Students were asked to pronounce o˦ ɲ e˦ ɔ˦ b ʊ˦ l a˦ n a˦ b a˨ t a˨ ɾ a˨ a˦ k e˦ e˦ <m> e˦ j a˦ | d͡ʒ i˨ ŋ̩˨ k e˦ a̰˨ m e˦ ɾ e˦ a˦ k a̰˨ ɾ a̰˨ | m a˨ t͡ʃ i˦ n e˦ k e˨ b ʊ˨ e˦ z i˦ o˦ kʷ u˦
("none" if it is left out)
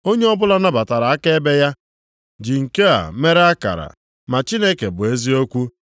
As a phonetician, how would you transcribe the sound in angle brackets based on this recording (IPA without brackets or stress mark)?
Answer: b